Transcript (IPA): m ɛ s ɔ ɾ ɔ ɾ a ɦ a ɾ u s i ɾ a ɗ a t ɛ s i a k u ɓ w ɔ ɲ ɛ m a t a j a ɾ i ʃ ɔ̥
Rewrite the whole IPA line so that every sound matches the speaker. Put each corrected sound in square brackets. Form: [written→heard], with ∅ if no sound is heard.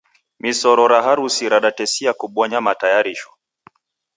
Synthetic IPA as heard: m [ɛ→i] s ɔ ɾ ɔ ɾ a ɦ a ɾ u s i ɾ a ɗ a t ɛ s i a k u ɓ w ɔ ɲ [ɛ→a] m a t a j a ɾ i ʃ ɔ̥